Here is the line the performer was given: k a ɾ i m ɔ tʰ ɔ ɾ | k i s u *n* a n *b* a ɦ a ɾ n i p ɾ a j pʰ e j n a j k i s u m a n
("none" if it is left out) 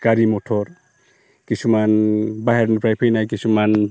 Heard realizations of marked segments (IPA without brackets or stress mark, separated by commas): m, b